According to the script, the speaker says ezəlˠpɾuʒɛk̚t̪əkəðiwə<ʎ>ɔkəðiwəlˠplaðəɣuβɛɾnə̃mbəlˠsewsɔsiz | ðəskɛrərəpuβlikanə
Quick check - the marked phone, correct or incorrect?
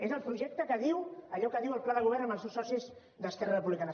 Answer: correct